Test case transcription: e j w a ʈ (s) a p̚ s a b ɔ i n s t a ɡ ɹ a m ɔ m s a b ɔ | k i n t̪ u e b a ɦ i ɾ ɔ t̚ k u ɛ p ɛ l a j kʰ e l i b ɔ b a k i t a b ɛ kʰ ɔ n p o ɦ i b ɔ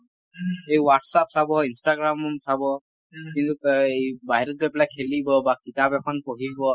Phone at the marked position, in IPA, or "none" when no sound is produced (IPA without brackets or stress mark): s